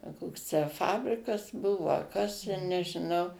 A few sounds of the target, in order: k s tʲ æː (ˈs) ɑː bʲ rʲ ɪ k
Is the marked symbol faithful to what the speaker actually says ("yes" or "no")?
no